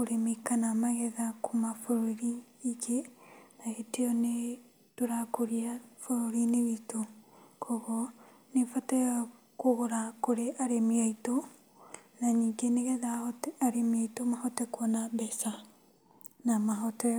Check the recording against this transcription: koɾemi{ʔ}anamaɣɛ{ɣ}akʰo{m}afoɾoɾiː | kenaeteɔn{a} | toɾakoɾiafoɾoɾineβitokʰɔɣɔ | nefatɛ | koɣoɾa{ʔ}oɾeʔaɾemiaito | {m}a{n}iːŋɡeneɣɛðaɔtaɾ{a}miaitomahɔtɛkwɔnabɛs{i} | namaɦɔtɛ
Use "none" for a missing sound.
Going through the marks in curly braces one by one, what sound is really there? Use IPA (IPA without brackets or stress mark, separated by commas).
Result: k, ð, m, e, k, n, ɲ, e, a